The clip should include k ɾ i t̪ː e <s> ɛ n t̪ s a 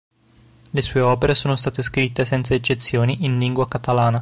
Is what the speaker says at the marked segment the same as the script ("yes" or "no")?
yes